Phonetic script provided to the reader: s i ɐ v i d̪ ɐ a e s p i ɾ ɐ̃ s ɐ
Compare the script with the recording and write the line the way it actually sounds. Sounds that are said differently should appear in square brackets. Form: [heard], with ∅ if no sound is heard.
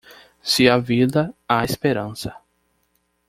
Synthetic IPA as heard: s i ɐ v i d̪ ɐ a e s p [e] ɾ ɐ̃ s ɐ